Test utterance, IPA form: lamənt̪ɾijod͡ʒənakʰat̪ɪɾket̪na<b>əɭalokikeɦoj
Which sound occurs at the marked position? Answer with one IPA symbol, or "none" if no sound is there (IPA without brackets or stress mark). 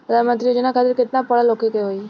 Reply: p